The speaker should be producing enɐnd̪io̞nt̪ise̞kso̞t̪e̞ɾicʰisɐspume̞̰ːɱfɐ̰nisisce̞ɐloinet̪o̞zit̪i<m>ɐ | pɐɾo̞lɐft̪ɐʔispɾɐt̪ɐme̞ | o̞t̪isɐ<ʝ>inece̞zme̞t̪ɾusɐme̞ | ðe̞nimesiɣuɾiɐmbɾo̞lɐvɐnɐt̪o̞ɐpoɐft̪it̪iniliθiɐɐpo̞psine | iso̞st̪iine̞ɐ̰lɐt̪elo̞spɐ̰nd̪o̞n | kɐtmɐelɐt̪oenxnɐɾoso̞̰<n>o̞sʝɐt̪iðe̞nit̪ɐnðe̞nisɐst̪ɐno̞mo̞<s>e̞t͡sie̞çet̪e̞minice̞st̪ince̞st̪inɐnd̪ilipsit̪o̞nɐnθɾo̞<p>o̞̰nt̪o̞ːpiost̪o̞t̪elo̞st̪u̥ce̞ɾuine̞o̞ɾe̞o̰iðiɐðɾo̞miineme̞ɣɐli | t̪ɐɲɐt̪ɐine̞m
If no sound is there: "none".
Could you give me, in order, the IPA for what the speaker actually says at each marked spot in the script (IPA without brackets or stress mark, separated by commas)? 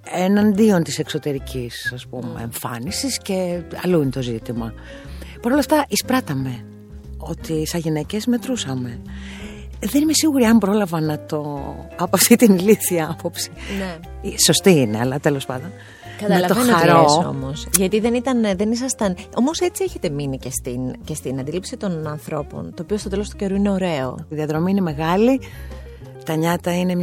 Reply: m, ʝ, m, s, p